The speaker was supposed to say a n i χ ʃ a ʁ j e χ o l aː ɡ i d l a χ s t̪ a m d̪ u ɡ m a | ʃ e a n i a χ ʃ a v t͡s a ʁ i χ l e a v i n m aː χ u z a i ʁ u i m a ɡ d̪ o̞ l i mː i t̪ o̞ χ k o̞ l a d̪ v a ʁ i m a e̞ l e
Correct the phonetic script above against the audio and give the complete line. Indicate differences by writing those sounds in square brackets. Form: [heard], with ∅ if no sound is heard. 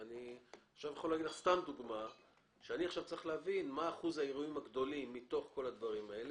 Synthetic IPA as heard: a n i χ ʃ a [v] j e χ o l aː ɡ i d l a χ s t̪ a m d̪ u ɡ m a | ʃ e a n i a χ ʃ a v t͡s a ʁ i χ l e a v i n m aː χ u z a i ʁ u i m a ɡ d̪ o̞ l i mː i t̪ o̞ χ k o̞ l a d̪ v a ʁ i m a e̞ l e